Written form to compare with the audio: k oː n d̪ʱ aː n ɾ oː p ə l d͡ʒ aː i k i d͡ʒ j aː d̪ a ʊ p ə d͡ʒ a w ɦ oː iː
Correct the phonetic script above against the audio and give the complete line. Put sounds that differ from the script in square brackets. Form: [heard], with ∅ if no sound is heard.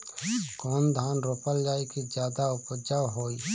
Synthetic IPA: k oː n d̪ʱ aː n ɾ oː p ə l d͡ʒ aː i k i d͡ʒ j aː d̪ a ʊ p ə d͡ʒ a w ɦ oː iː